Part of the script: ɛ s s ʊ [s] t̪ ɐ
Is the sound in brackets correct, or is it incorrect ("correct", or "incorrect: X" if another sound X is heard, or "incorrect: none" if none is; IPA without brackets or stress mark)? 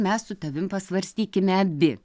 incorrect: none